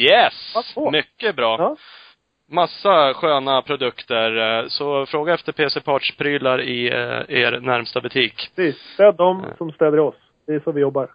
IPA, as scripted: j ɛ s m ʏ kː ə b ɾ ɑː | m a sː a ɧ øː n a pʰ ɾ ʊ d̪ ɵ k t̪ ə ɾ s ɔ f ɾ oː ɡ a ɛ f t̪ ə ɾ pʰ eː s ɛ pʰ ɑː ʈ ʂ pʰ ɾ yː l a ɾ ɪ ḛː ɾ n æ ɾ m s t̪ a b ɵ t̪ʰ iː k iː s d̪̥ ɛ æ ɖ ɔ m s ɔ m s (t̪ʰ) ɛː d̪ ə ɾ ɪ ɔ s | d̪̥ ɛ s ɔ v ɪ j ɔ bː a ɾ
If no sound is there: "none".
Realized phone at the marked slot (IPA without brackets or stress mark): t̪